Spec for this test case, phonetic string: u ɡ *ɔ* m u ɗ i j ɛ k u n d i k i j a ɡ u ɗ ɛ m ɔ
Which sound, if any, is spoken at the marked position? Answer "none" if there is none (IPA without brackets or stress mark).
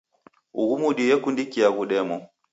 u